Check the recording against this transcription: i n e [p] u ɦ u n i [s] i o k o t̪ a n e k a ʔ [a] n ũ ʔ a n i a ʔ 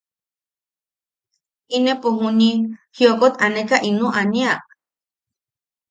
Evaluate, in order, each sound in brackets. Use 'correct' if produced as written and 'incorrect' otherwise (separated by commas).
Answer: correct, incorrect, incorrect